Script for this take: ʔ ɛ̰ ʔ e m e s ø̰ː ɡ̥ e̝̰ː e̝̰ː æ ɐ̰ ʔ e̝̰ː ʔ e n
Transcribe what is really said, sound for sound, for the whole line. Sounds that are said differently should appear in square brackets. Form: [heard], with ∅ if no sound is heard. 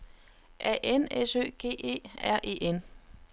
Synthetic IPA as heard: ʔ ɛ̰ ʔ e [n] e s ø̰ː ɡ̥ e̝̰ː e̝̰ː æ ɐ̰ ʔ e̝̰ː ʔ e n